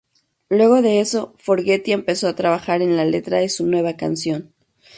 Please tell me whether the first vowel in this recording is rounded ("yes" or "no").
no